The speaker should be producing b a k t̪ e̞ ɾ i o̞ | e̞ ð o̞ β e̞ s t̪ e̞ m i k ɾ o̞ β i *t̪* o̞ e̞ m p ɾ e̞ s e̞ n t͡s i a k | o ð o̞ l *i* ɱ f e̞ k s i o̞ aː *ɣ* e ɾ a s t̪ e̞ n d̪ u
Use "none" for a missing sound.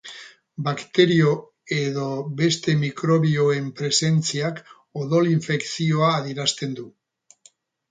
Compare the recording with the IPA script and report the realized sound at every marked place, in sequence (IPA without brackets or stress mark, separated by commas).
none, i, ð